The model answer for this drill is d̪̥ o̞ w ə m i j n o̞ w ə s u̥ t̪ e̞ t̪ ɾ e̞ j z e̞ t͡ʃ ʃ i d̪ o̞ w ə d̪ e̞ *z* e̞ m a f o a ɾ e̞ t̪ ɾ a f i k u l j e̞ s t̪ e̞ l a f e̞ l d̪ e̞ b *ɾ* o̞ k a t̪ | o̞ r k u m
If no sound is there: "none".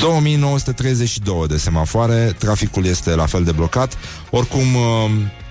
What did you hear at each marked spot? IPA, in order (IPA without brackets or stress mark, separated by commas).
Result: s, l